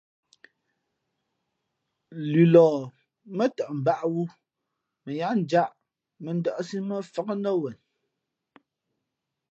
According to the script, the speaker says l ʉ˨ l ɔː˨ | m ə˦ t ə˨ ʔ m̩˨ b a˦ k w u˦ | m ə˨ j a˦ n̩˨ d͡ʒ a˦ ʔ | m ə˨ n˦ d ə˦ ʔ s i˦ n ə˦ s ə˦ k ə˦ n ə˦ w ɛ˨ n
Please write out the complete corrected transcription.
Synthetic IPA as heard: l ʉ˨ l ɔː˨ | m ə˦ t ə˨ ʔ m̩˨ b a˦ ʔ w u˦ | m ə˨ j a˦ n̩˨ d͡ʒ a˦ ʔ | m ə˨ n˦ d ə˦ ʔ s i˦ m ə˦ f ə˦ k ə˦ n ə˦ w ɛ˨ n

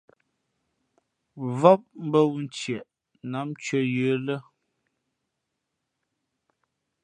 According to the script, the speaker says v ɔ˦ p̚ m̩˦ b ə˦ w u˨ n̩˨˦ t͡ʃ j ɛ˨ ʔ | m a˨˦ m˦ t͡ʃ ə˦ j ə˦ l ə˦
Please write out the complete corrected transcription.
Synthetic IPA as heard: v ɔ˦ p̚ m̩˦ b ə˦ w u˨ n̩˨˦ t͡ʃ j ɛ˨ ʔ | n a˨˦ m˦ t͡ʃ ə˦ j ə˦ l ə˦

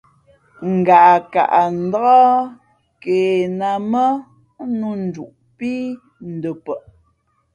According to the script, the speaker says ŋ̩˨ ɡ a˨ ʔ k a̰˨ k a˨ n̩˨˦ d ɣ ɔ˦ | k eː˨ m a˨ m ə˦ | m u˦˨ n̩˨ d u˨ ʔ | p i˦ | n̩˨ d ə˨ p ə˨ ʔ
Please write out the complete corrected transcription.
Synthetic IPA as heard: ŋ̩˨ ɡ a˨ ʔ k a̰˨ ʔ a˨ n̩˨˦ d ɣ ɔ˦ | k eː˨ n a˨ m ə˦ | n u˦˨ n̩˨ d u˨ ʔ | p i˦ | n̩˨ d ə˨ p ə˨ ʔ

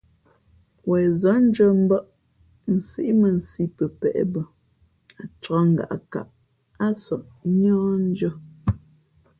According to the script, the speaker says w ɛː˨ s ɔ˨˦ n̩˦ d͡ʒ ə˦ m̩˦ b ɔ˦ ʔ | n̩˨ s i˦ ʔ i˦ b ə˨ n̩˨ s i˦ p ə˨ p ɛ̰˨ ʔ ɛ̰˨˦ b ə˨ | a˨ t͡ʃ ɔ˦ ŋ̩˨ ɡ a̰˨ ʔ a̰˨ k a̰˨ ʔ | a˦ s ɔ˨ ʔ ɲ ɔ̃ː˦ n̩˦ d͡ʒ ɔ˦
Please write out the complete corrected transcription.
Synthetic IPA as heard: w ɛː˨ z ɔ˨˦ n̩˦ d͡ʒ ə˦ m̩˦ b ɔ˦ ʔ | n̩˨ s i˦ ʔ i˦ m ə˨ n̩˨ s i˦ p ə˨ p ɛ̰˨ ʔ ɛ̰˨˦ b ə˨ | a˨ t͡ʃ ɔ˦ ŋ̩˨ ɡ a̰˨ ʔ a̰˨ k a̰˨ ʔ | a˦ s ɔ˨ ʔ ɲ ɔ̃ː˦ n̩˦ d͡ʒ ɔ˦

